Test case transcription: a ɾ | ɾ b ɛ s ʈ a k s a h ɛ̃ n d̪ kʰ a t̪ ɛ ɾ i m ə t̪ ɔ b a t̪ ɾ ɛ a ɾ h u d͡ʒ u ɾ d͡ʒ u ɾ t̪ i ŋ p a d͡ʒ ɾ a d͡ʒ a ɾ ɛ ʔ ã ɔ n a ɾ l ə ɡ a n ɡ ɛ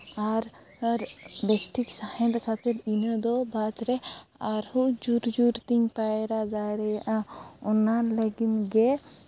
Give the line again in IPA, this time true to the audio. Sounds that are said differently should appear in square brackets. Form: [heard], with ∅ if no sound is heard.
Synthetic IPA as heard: a ɾ | ɾ b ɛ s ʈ [i] k s a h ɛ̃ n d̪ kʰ a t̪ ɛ ɾ i [n] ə [d̪] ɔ b a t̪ ɾ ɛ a ɾ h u d͡ʒ u ɾ d͡ʒ u ɾ t̪ i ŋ p a [∅] ɾ a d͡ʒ a ɾ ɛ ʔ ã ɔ n a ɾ l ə ɡ [i] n ɡ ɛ